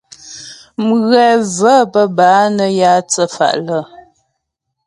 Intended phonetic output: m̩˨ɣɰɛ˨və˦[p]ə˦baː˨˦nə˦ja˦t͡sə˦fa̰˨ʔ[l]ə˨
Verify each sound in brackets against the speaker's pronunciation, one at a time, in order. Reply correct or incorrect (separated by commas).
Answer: correct, correct